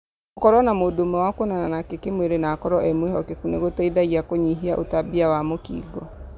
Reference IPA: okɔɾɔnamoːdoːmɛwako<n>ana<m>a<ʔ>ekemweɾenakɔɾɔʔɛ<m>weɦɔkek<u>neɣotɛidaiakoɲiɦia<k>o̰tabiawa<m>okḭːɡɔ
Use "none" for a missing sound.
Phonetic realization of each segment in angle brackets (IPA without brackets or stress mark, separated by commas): n, n, k, m, u, ʔ, m